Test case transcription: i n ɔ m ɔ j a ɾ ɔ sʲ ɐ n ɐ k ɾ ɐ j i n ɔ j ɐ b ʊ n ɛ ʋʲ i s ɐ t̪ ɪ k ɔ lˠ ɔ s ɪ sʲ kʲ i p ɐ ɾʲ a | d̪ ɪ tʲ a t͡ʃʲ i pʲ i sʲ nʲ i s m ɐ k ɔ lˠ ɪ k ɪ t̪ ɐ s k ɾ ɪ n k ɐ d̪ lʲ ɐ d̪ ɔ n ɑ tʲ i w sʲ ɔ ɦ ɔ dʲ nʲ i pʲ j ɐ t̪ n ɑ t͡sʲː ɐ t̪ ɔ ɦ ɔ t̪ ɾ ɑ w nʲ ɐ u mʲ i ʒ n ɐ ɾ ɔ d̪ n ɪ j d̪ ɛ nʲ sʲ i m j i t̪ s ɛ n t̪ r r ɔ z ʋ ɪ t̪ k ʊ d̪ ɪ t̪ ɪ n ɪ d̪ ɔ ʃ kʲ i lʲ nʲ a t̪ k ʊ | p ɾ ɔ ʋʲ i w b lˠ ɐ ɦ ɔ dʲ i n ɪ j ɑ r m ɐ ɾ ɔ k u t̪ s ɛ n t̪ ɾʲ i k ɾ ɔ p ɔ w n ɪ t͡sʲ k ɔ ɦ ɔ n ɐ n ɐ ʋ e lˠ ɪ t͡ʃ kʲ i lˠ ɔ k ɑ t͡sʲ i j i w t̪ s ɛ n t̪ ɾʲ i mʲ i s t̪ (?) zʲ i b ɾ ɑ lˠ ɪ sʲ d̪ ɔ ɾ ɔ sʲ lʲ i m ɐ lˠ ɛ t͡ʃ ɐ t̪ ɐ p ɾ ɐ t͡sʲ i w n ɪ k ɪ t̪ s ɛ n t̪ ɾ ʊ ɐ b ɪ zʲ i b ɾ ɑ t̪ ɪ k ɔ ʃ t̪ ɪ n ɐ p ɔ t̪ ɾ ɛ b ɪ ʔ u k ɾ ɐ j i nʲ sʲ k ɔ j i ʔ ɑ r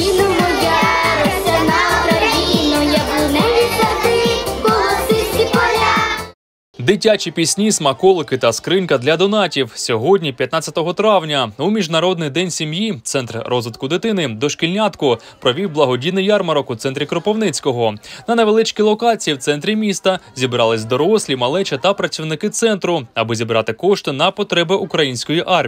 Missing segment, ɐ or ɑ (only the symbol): ɐ